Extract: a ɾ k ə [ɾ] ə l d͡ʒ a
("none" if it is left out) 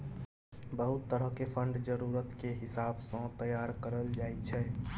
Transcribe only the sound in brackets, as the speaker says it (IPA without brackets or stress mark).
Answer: ɾ